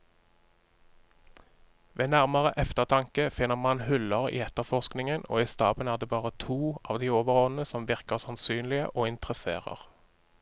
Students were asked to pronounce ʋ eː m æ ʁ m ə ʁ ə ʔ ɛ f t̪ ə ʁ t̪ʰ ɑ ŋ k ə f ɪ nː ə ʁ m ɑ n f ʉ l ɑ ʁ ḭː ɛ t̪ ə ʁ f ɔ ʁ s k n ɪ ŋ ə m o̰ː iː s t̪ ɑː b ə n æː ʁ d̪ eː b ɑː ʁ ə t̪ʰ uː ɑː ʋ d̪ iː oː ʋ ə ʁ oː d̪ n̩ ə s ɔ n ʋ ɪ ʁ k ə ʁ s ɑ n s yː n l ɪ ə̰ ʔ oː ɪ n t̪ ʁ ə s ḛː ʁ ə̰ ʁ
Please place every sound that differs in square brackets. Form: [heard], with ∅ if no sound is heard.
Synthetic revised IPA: ʋ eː [n] æ ʁ m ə ʁ ə ʔ ɛ f t̪ ə ʁ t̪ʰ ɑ ŋ k ə f ɪ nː ə ʁ m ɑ n [h] ʉ l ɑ ʁ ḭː ɛ t̪ ə ʁ f ɔ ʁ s k n ɪ ŋ ə [n] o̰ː iː s t̪ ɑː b ə n æː ʁ d̪ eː b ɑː ʁ ə t̪ʰ uː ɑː ʋ d̪ iː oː ʋ ə ʁ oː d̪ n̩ ə s ɔ [m] ʋ ɪ ʁ k ə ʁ s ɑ n s yː n l ɪ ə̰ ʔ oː ɪ n t̪ ʁ ə s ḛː ʁ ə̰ ʁ